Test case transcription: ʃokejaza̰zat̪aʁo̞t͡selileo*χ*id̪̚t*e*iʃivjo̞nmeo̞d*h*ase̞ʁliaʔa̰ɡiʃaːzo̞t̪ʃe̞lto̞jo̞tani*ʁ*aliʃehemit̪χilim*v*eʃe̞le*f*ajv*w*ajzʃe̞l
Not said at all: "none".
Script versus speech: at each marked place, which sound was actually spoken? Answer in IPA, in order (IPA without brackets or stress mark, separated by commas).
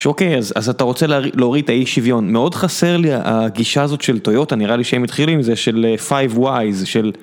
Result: ʁ, a, χ, ʁ, z, f, w